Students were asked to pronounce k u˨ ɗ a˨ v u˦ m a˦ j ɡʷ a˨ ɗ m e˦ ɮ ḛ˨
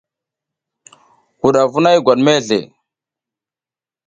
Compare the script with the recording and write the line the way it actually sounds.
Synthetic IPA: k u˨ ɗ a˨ v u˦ n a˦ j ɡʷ a˨ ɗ m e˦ ɮ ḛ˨